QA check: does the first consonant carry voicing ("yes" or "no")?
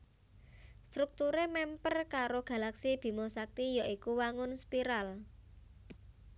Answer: no